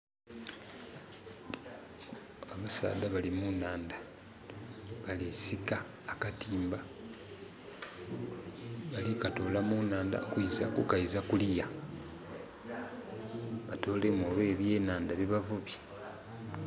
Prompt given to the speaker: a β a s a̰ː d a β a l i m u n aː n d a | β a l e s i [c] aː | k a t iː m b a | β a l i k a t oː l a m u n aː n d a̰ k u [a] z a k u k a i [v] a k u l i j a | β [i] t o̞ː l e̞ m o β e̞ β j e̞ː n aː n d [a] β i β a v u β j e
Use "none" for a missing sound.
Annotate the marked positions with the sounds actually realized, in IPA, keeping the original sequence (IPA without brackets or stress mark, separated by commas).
k, i, z, a, a